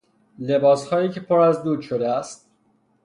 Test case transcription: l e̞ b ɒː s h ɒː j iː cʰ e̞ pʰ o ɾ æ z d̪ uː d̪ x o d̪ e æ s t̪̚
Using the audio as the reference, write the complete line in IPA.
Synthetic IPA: l e̞ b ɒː s h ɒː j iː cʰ e̞ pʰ o ɾ æ z d̪ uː d̪ ʃ o d̪ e æ s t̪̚